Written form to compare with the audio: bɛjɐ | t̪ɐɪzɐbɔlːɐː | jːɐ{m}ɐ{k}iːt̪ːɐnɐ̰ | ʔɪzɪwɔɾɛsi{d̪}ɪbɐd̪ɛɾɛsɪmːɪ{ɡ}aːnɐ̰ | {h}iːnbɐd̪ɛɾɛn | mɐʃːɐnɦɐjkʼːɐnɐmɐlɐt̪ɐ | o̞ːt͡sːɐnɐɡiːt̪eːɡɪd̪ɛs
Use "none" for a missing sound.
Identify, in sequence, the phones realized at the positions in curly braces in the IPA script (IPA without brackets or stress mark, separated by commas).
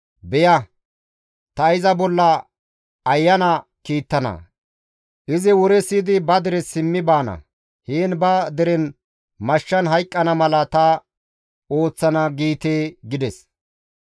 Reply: n, k, d̪, b, h